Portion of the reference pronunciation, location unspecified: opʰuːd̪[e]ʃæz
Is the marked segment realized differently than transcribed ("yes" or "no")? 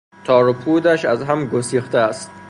yes